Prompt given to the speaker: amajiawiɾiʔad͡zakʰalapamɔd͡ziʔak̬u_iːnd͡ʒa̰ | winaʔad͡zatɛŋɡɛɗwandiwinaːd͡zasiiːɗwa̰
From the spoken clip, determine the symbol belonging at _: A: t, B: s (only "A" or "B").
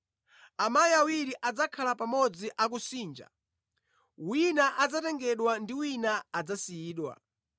B